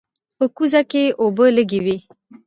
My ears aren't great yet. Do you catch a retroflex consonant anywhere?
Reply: no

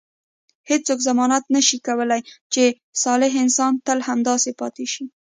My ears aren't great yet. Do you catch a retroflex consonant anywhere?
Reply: no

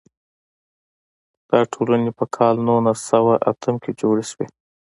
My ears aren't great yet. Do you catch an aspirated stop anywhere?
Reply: yes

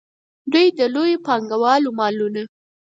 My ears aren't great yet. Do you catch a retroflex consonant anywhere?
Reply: no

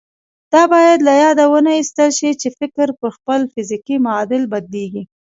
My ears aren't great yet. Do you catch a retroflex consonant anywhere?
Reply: no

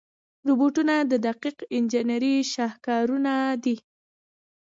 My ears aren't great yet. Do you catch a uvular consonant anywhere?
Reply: yes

